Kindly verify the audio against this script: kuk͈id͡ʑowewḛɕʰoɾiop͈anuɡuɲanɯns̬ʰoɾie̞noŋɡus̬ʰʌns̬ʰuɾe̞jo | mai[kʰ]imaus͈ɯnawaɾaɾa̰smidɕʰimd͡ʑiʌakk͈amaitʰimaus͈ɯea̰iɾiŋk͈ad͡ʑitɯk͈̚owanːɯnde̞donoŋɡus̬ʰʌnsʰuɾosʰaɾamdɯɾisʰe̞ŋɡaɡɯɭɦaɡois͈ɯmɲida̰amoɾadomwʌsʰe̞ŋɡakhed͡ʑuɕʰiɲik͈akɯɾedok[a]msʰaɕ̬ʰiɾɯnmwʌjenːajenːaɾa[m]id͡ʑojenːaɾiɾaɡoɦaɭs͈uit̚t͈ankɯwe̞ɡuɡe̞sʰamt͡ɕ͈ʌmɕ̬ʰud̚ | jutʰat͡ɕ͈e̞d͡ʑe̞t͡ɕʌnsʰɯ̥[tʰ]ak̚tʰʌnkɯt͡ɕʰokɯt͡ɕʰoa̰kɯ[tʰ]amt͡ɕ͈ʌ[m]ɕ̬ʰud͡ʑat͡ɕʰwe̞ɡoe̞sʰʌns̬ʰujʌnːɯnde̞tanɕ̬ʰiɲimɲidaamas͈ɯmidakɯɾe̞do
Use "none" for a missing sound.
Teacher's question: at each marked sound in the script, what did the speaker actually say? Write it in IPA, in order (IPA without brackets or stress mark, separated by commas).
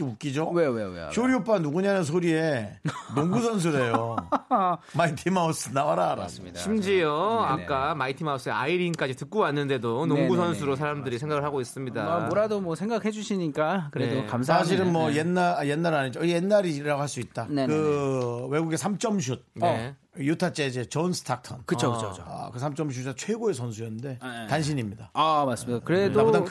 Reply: tʰ, a, ɲ, tʰ, sʰ, m